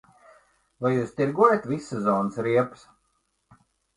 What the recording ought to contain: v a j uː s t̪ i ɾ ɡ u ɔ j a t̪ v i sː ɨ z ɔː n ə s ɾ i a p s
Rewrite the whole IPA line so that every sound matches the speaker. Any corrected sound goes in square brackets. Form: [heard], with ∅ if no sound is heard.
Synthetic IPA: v a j uː s t̪ i ɾ ɡ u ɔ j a t̪ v i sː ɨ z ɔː n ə s ɾ i [ɛ] p s